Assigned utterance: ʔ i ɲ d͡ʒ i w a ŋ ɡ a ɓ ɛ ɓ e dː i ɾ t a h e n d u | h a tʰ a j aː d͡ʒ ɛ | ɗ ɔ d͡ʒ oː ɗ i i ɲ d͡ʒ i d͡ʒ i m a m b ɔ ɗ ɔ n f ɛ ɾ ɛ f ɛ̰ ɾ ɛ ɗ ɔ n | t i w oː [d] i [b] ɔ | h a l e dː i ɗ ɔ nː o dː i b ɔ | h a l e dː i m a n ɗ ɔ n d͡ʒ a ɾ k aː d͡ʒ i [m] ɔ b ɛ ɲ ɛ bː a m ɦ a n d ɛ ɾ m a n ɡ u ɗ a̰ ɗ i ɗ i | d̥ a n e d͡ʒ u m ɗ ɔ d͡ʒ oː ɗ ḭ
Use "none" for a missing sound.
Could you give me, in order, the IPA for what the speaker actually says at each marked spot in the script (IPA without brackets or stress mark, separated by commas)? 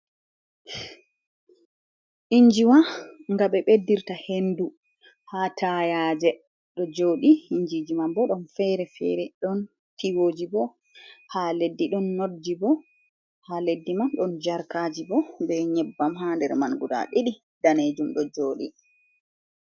d͡ʒ, b, b